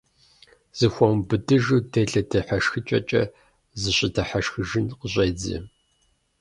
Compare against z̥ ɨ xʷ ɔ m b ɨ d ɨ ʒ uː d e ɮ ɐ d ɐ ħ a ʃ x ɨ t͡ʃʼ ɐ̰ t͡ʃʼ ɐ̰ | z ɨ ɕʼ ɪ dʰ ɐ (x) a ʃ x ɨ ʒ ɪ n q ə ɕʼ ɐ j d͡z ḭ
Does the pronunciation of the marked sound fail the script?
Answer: yes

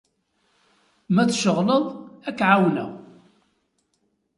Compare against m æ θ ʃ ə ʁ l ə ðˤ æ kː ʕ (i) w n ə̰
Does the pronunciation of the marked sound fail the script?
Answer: yes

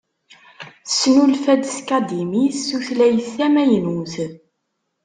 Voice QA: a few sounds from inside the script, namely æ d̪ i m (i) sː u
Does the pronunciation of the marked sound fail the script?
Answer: no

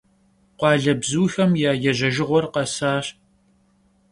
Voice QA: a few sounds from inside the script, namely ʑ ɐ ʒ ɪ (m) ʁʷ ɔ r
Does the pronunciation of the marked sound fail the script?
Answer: yes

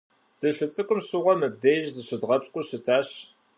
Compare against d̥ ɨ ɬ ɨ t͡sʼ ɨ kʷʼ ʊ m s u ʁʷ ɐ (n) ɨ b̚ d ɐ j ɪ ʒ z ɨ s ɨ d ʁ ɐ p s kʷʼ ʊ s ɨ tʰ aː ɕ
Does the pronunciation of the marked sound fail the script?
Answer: yes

